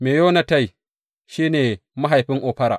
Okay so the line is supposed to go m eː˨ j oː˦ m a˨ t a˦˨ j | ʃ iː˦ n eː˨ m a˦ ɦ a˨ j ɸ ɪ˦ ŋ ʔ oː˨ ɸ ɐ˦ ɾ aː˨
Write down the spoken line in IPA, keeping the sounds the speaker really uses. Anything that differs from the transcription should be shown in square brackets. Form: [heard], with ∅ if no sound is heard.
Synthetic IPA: m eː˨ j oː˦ [n] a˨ t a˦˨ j | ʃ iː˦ n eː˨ m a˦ ɦ a˨ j ɸ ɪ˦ ŋ ʔ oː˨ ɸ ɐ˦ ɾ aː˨